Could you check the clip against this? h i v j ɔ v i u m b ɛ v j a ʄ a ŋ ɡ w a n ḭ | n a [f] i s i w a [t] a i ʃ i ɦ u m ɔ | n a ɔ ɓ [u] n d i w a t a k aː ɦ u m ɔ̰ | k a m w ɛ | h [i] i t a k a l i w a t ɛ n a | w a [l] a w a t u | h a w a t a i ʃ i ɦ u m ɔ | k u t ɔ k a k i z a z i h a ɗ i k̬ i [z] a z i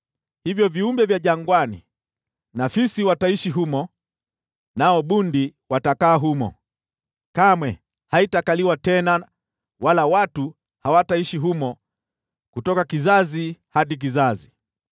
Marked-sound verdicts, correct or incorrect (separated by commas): correct, correct, correct, incorrect, correct, correct